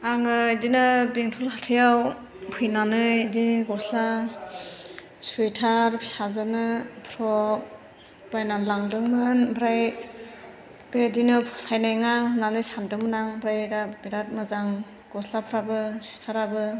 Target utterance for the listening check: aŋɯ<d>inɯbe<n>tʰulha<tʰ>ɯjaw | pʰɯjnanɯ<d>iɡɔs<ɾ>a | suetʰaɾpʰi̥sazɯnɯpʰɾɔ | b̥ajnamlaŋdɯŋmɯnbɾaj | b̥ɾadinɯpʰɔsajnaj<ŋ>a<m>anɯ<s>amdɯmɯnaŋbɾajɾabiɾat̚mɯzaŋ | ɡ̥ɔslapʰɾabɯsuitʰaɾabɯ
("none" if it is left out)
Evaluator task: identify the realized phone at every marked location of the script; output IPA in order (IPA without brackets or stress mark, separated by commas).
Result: d, ŋ, tʰ, d, l, ŋ, n, s